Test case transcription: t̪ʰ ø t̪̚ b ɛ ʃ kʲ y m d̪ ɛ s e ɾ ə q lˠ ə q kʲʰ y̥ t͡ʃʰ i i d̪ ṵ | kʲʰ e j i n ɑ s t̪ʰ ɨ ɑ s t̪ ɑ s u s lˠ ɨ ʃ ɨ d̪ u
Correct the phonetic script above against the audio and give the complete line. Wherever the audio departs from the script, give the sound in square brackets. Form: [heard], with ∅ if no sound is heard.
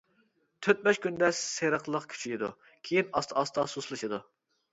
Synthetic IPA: t̪ʰ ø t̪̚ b ɛ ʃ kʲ y [n] d̪ ɛ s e ɾ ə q lˠ ə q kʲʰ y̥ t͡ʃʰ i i d̪ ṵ | kʲʰ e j i n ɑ s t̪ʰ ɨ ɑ s t̪ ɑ s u s lˠ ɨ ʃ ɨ d̪ u